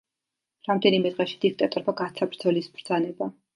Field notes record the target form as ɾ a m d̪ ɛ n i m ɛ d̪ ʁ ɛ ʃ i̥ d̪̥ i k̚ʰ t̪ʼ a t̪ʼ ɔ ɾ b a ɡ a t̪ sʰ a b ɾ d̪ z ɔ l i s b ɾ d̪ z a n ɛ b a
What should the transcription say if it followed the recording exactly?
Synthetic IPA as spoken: ɾ a m d̪ ɛ n i m ɛ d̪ ʁ ɛ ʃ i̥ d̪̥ i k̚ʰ t̪ʼ a t̪ʼ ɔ ɾ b a ɡ a t̪ sʰ a b ɾ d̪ z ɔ l i s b ɾ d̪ z a n ɛ b a